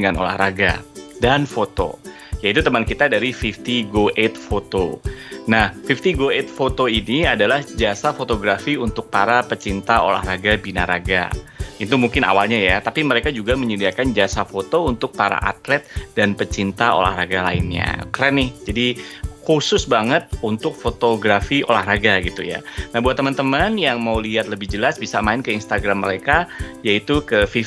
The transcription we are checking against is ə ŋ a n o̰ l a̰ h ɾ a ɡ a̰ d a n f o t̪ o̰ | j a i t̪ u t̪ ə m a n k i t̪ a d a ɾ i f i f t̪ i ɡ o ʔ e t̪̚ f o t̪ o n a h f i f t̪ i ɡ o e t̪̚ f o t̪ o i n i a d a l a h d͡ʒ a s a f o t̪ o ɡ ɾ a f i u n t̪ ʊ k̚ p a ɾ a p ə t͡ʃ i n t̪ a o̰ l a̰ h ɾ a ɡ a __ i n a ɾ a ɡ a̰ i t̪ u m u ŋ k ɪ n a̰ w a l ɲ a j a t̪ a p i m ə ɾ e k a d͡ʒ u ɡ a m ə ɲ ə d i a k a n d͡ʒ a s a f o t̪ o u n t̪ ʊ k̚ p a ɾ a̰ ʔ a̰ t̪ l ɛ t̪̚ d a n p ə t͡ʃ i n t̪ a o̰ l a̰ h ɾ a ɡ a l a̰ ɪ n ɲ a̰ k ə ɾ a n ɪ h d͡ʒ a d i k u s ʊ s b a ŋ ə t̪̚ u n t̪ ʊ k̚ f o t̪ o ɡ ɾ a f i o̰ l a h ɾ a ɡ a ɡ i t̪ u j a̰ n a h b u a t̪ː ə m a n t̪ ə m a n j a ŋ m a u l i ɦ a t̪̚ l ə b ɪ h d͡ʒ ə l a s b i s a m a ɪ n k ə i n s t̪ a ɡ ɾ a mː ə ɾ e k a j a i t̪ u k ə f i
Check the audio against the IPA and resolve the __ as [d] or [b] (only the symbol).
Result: b